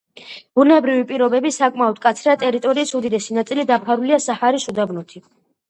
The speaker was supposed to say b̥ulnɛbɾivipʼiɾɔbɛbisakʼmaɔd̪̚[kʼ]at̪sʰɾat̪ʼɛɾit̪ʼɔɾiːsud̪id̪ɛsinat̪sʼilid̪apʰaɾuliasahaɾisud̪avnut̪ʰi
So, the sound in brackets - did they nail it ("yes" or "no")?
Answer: yes